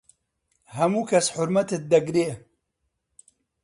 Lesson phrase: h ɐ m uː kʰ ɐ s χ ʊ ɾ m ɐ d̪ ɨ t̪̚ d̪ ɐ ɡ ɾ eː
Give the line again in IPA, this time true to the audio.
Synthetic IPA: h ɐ m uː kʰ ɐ s ħ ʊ ɾ m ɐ t̪ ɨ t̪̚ d̪ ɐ ɡ ɾ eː